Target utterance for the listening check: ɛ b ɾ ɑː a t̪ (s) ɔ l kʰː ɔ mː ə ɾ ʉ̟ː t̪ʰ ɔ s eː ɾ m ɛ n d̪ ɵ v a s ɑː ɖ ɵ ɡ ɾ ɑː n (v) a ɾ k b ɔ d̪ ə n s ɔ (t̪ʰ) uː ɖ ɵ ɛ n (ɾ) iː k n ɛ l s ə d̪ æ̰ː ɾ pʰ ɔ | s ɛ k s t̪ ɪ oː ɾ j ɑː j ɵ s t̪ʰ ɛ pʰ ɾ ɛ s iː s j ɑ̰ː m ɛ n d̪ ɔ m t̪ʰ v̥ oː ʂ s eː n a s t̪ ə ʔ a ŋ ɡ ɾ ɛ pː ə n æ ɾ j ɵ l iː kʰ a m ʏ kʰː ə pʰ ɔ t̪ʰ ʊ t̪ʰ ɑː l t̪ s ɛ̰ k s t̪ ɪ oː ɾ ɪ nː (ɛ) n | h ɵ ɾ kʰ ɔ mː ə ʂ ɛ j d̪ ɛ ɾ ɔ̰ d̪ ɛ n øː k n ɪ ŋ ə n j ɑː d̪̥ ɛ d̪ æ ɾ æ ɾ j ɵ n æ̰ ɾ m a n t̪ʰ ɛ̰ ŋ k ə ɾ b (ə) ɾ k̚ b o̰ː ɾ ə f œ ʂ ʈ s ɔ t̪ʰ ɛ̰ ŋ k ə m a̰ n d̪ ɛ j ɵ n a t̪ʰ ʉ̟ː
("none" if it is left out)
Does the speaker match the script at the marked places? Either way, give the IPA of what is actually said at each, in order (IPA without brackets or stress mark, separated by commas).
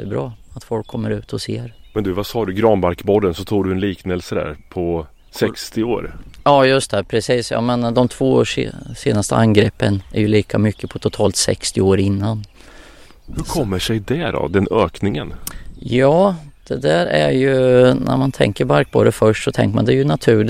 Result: f, b, t̪ʰ, l, a, a